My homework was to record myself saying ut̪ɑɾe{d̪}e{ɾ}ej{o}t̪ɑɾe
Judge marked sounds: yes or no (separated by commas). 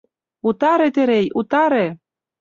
no, yes, no